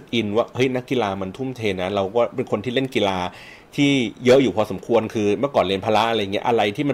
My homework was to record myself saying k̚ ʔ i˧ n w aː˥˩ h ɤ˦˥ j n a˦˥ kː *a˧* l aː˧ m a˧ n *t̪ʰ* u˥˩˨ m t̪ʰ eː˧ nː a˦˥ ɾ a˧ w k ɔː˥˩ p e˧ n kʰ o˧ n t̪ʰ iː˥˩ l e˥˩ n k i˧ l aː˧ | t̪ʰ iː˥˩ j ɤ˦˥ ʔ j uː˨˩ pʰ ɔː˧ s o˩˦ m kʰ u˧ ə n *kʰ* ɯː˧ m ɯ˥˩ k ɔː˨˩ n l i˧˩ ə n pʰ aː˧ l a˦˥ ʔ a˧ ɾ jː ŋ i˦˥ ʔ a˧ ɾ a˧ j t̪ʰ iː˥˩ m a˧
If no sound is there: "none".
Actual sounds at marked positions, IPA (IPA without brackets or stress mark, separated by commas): i˧, t̪ʰ, kʰ